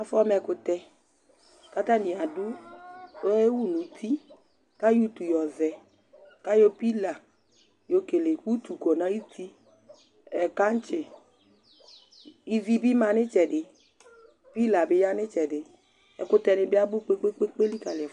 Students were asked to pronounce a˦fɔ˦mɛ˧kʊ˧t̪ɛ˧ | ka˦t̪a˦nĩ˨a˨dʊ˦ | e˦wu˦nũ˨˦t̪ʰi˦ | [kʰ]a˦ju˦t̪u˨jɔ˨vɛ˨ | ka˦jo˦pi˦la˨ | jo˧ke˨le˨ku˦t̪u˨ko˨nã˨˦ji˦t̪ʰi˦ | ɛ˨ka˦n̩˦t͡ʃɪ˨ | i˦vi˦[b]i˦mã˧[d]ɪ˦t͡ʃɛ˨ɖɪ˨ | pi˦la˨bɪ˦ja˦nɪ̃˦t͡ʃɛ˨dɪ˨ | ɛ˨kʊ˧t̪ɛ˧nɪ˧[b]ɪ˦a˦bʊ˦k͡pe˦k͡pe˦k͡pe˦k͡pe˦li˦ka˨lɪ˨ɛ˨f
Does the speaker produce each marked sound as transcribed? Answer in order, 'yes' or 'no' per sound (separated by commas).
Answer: no, yes, no, yes